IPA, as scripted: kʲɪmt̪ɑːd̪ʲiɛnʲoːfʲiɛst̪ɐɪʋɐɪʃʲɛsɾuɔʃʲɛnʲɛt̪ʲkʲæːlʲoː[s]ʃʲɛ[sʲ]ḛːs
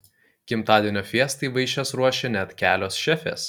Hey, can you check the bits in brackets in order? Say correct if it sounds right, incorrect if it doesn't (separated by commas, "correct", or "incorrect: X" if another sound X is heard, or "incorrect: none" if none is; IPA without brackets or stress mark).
correct, incorrect: fʲ